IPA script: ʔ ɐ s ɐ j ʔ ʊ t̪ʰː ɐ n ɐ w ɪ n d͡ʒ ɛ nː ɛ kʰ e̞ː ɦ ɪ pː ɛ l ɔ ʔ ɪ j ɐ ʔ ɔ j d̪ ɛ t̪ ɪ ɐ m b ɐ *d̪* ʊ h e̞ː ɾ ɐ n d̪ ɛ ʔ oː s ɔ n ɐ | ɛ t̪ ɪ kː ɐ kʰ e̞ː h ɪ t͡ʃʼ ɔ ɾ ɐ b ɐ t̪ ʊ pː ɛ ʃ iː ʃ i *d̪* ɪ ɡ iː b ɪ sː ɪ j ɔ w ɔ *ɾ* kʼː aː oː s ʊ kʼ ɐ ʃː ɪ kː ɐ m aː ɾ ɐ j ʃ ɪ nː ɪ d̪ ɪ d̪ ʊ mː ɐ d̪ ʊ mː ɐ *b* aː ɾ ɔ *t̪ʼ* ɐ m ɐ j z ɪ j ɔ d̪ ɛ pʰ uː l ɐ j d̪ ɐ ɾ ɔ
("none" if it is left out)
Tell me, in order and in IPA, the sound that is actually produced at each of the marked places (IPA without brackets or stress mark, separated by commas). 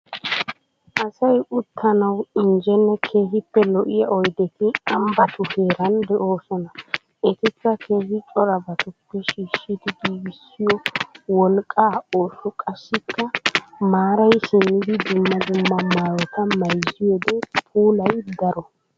t̪, d̪, l, m, t̪